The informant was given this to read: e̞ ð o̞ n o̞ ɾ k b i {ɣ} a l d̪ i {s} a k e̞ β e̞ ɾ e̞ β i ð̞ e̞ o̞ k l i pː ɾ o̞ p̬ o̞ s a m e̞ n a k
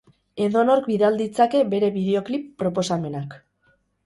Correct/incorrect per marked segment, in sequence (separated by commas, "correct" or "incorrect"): incorrect, incorrect